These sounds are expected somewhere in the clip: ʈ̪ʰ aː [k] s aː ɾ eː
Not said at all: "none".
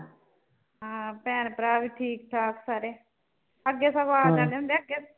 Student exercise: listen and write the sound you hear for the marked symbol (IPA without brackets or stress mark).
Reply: k